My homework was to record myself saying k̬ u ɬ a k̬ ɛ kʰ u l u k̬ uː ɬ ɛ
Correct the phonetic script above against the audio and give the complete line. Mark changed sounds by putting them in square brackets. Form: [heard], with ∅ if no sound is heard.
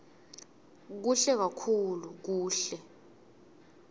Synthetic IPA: k̬ u ɬ [ɛ] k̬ [a] kʰ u l u k̬ uː ɬ ɛ